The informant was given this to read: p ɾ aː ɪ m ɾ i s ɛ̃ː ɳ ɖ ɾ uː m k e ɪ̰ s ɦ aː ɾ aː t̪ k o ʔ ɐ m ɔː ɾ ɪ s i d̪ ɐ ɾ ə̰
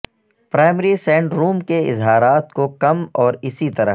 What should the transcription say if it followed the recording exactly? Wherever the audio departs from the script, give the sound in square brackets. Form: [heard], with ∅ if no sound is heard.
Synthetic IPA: p ɾ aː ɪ m ɾ i s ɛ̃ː ɳ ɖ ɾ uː m k e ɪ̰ [z] ɦ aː ɾ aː t̪ k o [k] ɐ m ɔː ɾ ɪ s i [t̪] ɐ ɾ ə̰